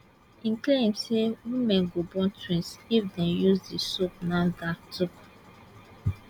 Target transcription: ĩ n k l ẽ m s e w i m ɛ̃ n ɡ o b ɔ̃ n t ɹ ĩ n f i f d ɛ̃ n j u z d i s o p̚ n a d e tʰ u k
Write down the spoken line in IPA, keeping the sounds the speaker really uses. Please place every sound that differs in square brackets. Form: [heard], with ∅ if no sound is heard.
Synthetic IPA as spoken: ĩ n k l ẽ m s e w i m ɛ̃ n ɡ o b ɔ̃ n t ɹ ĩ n [s] i f d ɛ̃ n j u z d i s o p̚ n a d [a] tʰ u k